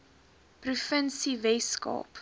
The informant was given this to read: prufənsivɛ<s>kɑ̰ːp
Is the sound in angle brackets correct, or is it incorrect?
correct